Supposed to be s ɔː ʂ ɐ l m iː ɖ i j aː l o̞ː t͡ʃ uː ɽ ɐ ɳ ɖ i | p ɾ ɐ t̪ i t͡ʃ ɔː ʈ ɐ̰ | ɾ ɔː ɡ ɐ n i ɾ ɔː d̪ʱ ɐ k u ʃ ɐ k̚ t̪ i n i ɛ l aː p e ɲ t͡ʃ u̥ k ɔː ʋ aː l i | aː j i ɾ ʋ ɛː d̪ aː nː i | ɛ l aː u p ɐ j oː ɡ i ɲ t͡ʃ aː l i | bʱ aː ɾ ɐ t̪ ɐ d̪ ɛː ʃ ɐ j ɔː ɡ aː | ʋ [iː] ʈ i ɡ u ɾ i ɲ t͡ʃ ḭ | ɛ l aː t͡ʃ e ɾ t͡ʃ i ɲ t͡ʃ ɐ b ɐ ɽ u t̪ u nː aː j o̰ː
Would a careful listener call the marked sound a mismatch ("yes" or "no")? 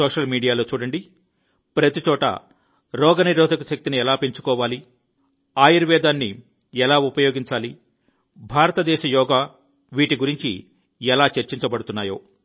no